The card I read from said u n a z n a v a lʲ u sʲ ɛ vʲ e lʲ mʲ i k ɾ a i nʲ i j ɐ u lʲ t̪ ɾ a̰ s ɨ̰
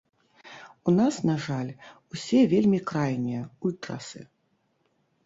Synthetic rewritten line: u n a s n a ʐ a lʲ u sʲ ɛ vʲ e lʲ mʲ i k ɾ a j nʲ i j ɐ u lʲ t̪ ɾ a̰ s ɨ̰